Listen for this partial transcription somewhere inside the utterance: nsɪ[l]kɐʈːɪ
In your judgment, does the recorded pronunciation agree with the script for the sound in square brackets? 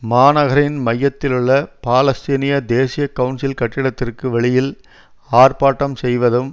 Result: yes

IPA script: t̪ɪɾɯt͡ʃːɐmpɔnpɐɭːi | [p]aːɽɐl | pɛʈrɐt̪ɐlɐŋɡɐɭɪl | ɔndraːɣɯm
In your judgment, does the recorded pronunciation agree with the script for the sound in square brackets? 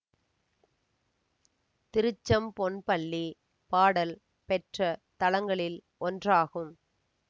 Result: yes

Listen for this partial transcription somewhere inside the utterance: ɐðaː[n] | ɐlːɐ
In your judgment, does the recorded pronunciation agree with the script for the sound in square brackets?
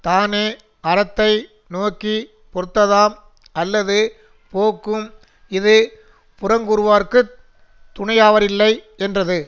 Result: no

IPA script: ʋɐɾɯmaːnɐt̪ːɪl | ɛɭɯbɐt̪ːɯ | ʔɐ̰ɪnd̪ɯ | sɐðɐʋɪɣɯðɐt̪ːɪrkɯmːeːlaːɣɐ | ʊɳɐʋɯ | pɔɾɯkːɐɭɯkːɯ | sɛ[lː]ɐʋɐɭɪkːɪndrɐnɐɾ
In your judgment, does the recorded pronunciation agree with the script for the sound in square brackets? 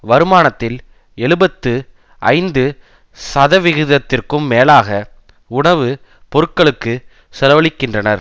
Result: no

